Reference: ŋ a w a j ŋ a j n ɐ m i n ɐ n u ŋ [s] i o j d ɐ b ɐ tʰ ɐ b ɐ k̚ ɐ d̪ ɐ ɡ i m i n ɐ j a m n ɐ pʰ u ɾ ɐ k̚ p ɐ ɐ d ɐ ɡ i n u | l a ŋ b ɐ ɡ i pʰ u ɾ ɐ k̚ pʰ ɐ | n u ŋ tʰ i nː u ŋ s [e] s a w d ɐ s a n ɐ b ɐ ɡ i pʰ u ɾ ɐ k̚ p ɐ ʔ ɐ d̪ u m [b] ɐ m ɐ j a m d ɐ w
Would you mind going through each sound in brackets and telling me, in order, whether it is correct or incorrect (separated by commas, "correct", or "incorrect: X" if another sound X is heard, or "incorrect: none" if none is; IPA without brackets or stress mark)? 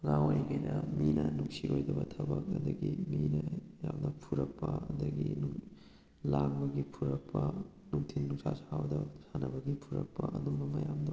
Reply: correct, incorrect: a, correct